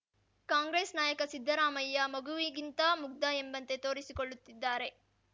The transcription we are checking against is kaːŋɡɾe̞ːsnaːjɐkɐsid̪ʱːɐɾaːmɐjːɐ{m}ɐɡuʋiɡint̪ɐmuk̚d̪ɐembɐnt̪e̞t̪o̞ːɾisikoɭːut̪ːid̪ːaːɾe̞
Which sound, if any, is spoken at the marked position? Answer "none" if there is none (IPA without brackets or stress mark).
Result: m